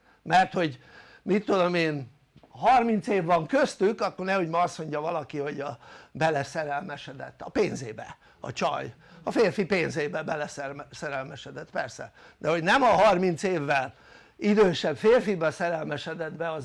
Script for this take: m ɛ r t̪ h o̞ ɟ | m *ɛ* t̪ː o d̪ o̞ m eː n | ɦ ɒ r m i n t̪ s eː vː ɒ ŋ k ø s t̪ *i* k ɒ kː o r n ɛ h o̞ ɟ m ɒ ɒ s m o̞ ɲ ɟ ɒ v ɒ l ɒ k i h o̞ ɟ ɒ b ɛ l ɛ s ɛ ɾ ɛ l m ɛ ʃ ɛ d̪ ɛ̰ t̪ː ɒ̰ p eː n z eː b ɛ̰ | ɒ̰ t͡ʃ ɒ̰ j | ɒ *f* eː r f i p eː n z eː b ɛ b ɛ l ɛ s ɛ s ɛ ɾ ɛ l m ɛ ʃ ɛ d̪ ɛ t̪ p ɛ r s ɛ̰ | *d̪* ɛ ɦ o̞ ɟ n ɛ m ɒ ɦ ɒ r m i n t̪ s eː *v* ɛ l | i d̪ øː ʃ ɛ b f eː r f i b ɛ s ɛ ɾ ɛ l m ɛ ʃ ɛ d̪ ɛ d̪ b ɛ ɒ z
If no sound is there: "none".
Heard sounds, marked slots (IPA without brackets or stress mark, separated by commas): i, y, f, d̪, vː